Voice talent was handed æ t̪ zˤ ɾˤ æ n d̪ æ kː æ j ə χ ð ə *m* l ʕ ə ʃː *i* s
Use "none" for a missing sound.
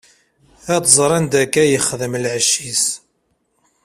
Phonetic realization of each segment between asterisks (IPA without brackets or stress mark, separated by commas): m, i